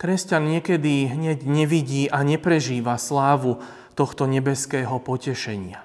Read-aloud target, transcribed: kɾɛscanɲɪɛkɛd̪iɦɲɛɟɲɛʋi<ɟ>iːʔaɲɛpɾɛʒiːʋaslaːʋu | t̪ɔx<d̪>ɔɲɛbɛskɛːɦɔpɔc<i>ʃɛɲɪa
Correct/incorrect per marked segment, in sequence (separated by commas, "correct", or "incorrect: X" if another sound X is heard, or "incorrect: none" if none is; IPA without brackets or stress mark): correct, incorrect: t̪, incorrect: ɛ